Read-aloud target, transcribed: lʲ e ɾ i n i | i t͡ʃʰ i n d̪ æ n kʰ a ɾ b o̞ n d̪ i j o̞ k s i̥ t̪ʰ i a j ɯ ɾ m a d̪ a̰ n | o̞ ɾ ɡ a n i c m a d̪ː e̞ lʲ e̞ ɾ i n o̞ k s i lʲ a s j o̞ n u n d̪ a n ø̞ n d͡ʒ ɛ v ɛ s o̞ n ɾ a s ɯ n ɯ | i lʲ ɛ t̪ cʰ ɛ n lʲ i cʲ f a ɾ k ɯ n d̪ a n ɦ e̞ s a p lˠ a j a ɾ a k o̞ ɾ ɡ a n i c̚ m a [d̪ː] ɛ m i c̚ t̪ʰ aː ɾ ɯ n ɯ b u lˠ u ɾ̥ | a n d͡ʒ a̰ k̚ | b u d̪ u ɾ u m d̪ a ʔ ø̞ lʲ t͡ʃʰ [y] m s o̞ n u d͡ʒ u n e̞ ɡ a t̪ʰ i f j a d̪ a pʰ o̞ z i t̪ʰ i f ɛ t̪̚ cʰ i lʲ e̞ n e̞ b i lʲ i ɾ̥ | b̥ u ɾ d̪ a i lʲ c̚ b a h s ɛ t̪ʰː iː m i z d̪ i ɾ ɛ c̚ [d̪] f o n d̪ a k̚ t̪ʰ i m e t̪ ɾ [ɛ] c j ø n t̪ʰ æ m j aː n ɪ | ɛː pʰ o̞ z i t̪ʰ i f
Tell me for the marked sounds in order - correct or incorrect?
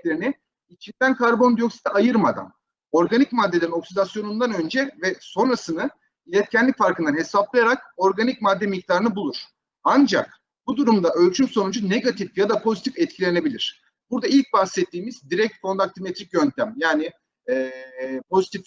correct, correct, incorrect, incorrect

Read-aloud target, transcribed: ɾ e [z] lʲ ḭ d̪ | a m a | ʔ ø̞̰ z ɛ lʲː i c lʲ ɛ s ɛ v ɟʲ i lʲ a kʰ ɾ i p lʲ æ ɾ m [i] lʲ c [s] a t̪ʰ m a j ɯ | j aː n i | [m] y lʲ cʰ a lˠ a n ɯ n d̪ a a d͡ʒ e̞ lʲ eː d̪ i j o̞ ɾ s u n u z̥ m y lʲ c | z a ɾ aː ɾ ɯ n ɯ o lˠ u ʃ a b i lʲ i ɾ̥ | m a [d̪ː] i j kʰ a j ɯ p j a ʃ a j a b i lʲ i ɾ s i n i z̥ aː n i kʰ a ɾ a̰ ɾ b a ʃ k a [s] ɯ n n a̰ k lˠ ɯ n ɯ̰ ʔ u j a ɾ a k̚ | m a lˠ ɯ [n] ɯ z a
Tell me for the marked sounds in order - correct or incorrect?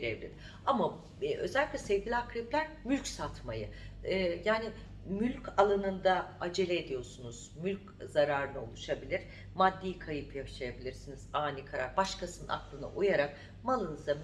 incorrect, incorrect, correct, correct, correct, correct, correct

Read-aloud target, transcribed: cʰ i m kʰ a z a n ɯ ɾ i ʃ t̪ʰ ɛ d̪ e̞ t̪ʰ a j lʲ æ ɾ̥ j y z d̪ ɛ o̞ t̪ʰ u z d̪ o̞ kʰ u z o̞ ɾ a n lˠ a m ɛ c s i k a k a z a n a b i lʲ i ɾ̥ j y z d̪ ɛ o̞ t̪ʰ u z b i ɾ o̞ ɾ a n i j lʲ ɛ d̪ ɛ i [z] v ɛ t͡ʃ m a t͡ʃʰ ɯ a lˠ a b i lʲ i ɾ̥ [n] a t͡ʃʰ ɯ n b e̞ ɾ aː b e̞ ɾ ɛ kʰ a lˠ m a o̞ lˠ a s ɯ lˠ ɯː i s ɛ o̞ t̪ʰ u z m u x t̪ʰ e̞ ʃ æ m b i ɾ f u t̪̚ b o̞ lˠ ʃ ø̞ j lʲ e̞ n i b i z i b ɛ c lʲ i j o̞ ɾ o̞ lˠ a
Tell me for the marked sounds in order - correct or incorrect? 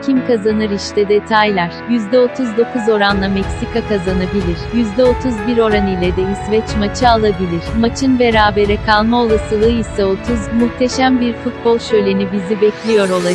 incorrect, incorrect

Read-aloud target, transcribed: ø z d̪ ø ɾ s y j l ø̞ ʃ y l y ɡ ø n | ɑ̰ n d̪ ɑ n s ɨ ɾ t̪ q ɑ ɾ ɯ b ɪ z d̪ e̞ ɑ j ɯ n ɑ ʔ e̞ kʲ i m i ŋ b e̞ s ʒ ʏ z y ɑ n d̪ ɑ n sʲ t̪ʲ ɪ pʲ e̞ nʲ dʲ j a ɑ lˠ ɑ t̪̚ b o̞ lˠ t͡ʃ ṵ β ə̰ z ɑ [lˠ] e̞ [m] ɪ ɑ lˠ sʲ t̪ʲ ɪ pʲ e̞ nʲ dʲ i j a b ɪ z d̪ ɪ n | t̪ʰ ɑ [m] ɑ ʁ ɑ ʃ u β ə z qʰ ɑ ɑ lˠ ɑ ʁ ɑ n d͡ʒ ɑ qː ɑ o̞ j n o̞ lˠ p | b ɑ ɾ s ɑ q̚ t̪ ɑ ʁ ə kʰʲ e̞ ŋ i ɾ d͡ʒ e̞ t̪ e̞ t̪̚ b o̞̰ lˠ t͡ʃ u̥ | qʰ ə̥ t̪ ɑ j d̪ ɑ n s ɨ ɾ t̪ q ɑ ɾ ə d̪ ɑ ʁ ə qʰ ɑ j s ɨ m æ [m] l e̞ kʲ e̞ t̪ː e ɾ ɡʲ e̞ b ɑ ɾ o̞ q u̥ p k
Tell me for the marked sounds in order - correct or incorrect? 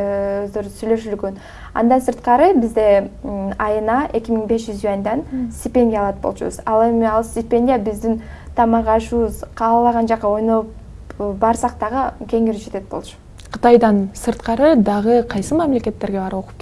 correct, correct, correct, correct

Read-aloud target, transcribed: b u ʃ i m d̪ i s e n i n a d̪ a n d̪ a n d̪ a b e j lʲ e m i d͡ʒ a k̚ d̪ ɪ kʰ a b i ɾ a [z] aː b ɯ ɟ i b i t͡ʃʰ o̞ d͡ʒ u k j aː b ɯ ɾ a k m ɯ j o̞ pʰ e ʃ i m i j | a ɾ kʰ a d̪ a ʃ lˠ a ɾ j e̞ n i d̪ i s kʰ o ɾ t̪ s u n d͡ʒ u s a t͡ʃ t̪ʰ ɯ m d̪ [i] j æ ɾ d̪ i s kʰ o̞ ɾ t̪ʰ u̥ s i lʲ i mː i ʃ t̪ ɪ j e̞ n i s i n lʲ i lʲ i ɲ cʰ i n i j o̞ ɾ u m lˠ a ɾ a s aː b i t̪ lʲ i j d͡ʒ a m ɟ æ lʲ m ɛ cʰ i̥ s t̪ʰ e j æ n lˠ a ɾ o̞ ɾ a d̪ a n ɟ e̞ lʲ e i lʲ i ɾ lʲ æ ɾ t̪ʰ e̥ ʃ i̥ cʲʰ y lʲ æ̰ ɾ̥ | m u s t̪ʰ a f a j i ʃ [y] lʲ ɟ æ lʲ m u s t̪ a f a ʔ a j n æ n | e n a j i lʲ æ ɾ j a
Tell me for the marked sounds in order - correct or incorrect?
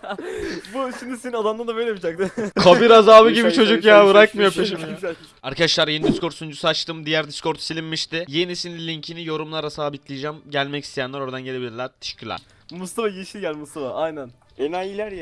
correct, correct, incorrect

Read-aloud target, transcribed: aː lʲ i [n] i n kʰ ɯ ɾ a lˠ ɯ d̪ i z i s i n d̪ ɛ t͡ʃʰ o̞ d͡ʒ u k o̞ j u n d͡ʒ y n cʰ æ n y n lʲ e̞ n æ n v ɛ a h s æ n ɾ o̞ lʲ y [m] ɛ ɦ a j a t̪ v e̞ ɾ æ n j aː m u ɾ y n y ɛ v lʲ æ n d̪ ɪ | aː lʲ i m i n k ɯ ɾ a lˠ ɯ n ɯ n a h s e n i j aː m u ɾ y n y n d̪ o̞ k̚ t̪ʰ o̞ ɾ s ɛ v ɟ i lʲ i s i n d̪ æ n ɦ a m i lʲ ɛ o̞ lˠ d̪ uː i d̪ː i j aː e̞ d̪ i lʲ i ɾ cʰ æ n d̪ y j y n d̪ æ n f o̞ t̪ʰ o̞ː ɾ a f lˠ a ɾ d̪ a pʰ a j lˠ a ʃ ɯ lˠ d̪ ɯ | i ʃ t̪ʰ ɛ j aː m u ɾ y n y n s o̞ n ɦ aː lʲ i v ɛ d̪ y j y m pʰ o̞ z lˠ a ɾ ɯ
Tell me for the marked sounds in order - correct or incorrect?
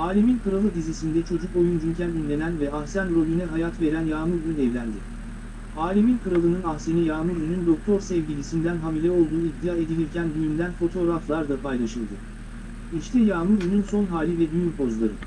incorrect, incorrect

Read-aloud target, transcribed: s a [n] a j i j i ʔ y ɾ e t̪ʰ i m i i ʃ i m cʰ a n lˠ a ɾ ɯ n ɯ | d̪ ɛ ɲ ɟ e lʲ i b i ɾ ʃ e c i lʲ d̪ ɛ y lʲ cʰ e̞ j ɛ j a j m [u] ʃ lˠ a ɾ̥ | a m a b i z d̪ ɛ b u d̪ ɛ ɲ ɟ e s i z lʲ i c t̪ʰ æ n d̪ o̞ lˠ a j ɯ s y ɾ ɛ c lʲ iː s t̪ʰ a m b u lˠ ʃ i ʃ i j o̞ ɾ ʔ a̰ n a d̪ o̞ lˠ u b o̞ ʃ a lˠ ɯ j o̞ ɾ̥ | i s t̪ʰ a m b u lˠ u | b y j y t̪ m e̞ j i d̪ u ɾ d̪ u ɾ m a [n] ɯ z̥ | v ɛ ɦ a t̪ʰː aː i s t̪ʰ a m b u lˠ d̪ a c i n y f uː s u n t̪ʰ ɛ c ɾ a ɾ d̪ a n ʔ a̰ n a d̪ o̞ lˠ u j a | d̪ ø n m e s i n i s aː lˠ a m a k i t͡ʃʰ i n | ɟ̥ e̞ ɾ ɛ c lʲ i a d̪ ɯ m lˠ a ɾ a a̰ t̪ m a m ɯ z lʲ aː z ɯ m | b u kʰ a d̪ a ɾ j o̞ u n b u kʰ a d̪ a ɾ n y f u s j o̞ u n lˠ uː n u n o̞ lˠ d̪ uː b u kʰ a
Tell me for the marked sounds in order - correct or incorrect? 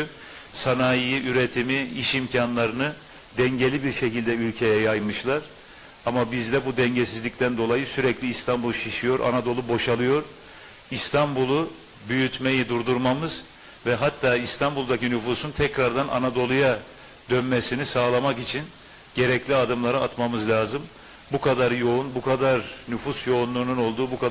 correct, incorrect, incorrect

